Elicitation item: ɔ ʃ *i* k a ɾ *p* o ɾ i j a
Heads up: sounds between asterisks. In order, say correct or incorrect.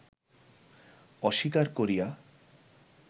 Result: correct, incorrect

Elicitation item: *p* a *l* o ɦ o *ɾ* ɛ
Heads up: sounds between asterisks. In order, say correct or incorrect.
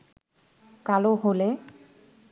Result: incorrect, correct, incorrect

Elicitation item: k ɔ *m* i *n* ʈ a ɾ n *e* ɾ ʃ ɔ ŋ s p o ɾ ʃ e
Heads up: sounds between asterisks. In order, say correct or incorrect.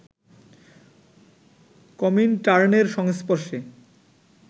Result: correct, correct, correct

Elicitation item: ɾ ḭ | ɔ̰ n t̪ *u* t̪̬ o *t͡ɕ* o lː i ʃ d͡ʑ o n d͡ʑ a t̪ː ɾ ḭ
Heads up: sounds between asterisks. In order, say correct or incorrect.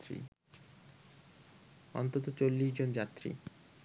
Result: incorrect, correct

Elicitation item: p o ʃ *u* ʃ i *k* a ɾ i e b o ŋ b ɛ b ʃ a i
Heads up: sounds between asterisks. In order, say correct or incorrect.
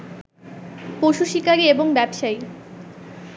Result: correct, correct

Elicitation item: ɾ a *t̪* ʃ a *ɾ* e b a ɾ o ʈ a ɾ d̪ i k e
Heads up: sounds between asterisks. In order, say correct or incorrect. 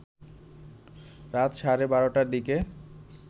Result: correct, correct

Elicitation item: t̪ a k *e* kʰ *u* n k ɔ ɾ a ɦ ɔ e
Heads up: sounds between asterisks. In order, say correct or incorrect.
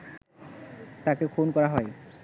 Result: correct, incorrect

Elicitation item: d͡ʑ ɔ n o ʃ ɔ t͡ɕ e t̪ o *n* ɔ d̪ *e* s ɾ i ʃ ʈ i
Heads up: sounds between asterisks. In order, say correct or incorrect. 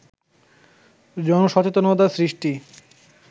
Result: correct, incorrect

